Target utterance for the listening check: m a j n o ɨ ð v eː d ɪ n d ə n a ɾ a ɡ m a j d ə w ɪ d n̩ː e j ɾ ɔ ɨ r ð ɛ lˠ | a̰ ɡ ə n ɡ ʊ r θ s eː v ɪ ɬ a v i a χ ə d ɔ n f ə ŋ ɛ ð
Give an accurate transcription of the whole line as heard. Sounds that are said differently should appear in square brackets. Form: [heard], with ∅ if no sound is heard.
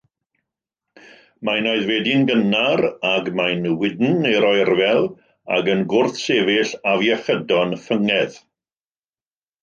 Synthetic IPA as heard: m a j n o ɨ ð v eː d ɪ n [ɡ] ə n a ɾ a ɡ m a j [n] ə w ɪ d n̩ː e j ɾ ɔ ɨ r [v] ɛ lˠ | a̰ ɡ ə n ɡ ʊ r θ s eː v ɪ ɬ a v [j] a χ ə d ɔ n f ə ŋ ɛ ð